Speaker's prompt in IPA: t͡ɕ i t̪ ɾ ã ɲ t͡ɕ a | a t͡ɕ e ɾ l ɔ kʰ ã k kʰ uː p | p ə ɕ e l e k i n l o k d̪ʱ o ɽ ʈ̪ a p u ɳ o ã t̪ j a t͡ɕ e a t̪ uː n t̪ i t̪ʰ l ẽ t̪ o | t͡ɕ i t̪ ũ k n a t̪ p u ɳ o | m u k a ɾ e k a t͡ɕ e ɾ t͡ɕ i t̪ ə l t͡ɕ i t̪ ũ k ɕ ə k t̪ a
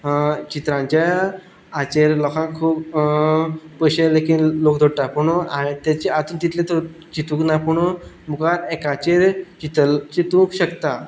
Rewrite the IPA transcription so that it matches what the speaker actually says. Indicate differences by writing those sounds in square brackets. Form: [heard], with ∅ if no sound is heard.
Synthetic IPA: t͡ɕ i t̪ ɾ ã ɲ t͡ɕ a | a t͡ɕ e ɾ l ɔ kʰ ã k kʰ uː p | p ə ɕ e l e k i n l o k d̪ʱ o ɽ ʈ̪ a p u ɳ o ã t̪ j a t͡ɕ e a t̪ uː n t̪ i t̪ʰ l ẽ t̪ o | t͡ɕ i t̪ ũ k n a [∅] p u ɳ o | m u k a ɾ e k a t͡ɕ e ɾ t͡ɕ i t̪ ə l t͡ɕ i t̪ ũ k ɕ ə k t̪ a